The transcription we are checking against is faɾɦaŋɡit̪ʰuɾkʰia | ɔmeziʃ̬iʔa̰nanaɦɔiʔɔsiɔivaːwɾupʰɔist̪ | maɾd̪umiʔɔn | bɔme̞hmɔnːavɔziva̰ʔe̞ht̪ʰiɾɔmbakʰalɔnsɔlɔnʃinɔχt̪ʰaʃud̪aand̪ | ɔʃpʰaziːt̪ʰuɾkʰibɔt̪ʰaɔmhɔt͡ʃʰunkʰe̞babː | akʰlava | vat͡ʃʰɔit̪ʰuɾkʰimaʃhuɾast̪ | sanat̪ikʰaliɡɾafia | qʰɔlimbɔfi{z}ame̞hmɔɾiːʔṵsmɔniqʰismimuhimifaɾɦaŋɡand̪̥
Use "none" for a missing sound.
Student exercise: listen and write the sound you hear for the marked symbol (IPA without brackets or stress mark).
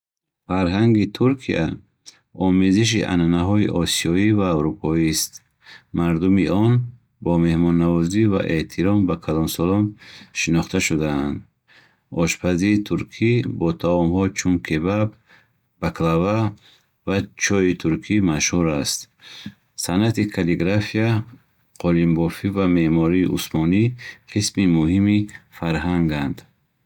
v